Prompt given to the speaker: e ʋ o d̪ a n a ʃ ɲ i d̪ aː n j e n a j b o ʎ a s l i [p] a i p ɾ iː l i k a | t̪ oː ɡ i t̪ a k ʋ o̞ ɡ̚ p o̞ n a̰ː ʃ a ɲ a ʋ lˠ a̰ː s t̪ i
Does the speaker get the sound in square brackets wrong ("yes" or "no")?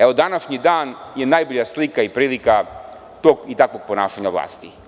yes